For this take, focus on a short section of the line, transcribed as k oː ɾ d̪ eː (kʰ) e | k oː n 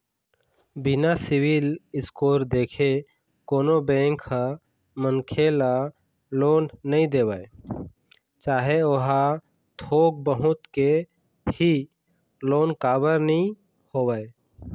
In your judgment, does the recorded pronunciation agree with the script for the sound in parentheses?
yes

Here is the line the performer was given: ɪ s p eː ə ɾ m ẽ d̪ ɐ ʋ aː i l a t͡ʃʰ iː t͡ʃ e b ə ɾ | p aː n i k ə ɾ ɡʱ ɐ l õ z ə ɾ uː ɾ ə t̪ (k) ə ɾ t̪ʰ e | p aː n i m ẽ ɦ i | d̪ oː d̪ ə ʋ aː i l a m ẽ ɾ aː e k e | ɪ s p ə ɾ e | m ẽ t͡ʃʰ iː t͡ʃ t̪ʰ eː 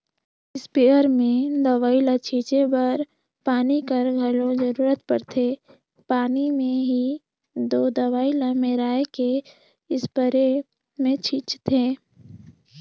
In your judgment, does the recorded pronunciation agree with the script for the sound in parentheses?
no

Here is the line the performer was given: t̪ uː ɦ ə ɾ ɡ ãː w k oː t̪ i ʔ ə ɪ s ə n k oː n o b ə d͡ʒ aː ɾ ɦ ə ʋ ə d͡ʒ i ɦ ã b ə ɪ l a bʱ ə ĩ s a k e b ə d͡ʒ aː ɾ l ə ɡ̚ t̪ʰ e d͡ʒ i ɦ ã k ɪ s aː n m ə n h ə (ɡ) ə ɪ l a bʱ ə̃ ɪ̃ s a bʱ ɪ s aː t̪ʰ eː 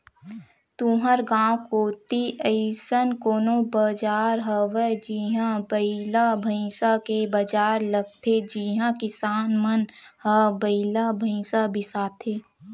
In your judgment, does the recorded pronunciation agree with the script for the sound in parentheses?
no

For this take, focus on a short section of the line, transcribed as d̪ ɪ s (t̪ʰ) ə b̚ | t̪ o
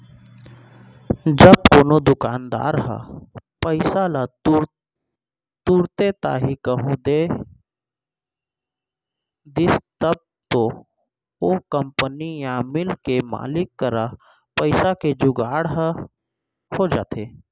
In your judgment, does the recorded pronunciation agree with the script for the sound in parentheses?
no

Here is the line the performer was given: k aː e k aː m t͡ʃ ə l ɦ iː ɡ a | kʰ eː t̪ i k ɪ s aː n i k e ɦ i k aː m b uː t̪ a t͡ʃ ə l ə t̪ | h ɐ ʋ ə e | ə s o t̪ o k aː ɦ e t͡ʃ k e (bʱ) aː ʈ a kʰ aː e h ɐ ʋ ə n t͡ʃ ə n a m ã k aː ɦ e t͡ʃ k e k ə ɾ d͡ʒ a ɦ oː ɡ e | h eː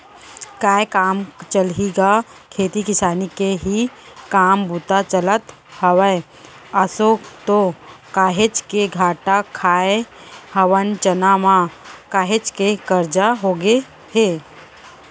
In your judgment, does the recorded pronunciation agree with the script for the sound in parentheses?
no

